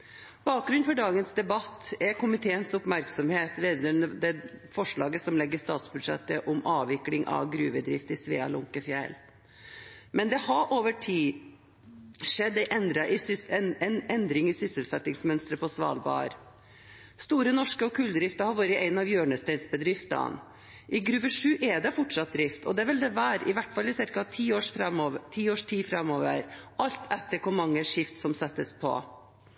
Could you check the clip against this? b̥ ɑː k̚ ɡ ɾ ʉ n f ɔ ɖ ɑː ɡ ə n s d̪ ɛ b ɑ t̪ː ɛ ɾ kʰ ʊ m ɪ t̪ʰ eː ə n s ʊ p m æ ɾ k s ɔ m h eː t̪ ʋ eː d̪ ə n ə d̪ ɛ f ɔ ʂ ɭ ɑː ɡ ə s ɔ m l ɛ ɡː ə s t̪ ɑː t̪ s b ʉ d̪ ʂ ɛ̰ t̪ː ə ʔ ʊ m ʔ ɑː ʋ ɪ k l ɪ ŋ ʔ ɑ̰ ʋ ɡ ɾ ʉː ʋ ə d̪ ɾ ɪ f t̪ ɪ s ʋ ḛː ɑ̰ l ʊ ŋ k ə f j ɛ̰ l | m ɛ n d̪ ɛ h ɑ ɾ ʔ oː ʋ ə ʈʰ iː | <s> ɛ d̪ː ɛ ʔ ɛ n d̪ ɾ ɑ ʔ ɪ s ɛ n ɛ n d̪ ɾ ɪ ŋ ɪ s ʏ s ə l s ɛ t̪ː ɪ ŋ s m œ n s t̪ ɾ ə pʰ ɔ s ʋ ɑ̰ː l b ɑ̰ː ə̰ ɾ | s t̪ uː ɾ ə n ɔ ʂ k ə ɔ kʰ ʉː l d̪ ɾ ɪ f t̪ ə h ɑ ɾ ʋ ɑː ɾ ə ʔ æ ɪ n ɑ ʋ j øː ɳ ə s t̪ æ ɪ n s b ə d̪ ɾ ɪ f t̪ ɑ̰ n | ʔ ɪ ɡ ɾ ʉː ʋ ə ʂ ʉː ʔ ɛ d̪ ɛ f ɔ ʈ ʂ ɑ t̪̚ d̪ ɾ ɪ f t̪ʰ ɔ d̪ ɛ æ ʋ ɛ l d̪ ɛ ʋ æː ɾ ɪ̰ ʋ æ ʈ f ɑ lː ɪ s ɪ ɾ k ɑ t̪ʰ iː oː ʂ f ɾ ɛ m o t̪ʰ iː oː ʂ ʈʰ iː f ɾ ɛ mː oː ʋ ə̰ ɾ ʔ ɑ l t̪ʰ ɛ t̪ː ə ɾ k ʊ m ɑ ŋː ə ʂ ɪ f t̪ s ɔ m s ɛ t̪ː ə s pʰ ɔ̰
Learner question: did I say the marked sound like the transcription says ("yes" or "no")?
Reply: no